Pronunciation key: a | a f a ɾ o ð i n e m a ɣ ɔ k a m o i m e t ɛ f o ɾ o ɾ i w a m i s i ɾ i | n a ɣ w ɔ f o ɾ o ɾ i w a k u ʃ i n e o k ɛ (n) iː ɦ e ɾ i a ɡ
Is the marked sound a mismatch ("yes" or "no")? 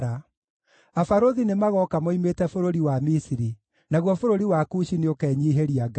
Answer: yes